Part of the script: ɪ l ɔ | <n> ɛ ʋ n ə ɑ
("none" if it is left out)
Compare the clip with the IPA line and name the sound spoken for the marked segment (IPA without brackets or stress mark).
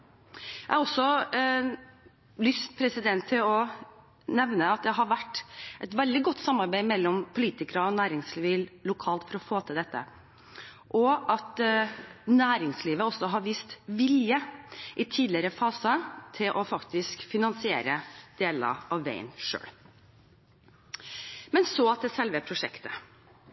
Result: n